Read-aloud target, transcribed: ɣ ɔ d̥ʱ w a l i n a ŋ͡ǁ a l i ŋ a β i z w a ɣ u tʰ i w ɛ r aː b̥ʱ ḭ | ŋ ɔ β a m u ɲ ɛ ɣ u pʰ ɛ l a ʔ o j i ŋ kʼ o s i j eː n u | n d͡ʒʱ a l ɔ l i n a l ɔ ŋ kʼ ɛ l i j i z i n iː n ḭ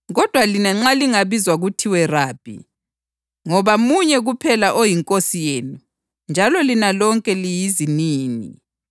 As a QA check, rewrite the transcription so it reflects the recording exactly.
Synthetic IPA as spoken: ɣ ɔ d̥ʱ w a l i n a ŋ͡ǁ a l i ŋ a β i z w a ɣ u tʰ i w ɛ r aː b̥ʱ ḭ | ŋ ɔ β a m u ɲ ɛ ɣ u pʰ ɛ l a ʔ o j i ŋ kʼ o s i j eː n u | n d͡ʒʱ a l ɔ l i n a l ɔ ŋ kʼ ɛ l i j i z i n iː n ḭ